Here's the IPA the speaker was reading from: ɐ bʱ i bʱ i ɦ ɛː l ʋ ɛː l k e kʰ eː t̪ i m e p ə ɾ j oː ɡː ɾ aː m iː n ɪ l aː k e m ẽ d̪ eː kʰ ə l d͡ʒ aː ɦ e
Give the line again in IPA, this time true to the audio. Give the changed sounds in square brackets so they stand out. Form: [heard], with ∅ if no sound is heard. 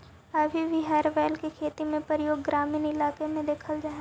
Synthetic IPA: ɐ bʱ i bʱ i ɦ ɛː [ɾ] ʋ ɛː l k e kʰ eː t̪ i m [ẽ] p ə ɾ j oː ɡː ɾ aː m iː n ɪ l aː k e m ẽ d̪ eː kʰ ə l d͡ʒ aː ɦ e